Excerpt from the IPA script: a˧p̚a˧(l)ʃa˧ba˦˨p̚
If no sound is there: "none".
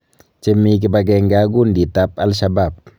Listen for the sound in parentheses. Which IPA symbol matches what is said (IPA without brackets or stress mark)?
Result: l